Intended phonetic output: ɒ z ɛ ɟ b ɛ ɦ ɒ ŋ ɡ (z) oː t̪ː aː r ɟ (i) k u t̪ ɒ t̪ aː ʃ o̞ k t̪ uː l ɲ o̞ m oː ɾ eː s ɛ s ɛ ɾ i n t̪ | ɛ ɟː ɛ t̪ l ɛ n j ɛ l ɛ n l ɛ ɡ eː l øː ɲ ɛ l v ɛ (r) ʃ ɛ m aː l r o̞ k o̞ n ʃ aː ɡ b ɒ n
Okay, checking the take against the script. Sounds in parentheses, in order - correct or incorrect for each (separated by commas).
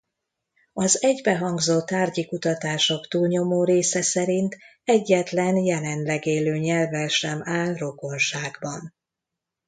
correct, correct, incorrect